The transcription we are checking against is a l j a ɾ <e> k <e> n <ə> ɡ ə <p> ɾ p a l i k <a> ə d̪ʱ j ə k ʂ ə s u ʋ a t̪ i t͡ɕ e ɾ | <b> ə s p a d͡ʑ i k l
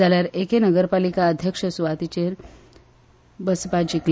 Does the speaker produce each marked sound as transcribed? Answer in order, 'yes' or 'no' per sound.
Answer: yes, yes, yes, no, yes, yes

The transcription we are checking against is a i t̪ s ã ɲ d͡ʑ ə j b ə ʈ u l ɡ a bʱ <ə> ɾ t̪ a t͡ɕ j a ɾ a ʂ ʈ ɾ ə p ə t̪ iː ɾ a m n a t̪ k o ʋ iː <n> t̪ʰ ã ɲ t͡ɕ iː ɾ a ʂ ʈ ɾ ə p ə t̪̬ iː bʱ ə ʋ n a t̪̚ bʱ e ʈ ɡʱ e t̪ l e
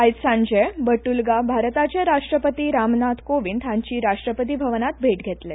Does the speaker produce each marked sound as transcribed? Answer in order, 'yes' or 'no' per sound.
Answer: no, yes

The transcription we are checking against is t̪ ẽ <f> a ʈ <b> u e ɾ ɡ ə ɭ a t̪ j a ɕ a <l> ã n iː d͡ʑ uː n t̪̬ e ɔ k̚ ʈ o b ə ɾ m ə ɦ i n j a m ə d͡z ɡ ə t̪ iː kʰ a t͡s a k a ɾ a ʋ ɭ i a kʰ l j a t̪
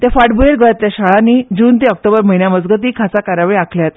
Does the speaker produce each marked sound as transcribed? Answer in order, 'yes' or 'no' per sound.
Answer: yes, yes, no

